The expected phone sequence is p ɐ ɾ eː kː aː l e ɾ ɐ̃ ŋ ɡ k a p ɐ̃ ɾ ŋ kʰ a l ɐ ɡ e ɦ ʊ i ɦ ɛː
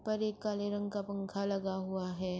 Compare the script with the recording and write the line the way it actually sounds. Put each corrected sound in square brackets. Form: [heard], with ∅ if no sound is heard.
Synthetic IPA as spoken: p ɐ ɾ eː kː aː l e ɾ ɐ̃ ŋ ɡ k a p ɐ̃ [∅] ŋ kʰ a l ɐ ɡ [a] ɦ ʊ [a] ɦ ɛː